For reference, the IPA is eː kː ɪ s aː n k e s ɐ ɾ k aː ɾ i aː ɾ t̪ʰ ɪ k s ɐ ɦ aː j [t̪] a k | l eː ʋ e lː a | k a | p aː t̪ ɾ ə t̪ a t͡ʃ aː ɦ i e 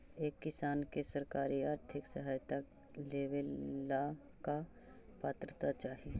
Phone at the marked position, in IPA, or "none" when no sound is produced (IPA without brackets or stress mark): t̪